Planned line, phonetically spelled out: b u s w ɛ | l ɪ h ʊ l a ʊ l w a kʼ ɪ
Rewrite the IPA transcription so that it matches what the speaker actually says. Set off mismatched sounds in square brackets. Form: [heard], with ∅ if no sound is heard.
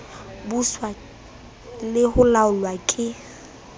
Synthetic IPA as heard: b u s w [a] | l ɪ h ʊ l a ʊ l w a kʼ ɪ